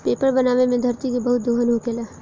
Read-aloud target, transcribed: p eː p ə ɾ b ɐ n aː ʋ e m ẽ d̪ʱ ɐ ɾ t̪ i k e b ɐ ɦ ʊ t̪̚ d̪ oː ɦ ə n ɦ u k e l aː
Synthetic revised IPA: p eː p ə ɾ b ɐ n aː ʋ e m ẽ d̪ʱ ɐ ɾ t̪ i k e b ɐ ɦ ʊ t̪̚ d̪ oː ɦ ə n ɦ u k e l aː